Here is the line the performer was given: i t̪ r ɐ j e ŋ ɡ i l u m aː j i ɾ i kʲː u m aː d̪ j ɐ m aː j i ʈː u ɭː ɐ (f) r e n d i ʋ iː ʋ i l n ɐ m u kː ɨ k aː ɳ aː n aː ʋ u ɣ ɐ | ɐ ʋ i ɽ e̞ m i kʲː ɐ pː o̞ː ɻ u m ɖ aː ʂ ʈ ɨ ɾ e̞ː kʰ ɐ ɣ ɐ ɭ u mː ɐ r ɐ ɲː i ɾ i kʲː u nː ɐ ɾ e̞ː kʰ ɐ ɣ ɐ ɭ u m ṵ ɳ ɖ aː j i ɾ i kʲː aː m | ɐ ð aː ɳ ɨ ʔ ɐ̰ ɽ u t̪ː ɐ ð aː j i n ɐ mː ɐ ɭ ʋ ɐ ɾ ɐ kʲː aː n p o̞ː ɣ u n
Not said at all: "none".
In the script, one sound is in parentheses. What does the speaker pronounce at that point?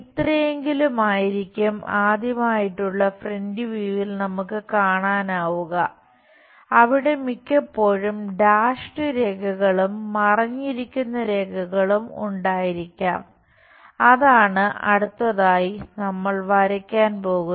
f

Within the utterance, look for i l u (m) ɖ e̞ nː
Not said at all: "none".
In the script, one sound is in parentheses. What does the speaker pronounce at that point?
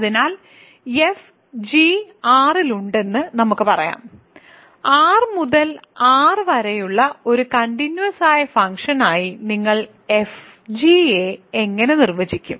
ɳ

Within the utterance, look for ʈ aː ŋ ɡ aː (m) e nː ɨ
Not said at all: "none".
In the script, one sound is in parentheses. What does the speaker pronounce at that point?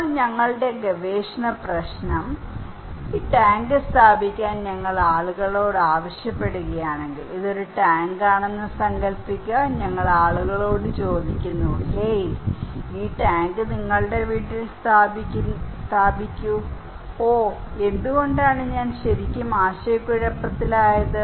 ɳ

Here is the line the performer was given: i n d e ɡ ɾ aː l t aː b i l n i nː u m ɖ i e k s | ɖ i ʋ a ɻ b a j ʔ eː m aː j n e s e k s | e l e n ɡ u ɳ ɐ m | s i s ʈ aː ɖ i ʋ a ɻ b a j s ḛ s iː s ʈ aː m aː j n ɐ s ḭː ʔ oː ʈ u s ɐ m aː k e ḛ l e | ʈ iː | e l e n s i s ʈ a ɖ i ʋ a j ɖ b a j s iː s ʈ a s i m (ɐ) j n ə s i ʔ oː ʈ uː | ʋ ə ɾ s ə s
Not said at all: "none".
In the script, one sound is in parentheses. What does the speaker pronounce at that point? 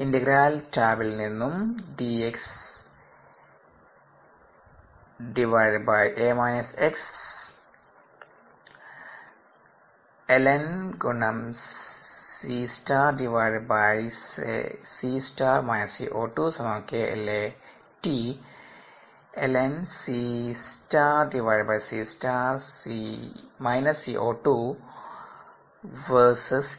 a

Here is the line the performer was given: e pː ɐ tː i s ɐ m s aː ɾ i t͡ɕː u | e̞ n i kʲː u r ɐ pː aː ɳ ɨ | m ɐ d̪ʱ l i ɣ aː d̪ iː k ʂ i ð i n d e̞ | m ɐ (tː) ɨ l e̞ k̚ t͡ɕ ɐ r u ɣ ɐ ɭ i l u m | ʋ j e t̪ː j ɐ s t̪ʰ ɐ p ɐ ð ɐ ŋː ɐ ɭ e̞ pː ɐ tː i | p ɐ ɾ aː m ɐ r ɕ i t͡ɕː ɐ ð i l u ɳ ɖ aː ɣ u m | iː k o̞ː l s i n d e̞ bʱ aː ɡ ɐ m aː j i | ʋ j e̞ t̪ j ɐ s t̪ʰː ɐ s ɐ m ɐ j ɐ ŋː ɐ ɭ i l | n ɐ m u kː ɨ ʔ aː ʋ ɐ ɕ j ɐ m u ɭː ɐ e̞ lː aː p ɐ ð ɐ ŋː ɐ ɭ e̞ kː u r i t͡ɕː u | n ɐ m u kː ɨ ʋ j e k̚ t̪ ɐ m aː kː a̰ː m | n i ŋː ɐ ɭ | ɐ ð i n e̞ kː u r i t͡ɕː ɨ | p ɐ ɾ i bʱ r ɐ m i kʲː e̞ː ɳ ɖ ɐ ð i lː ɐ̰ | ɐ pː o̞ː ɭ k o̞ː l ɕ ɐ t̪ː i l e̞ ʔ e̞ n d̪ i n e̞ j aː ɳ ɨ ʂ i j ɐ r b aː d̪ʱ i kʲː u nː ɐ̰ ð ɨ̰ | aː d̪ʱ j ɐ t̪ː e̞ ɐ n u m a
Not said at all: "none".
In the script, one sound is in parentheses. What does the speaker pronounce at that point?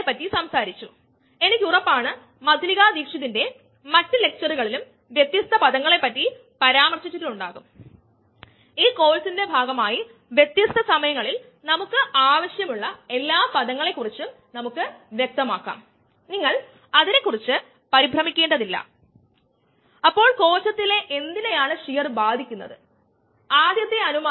tː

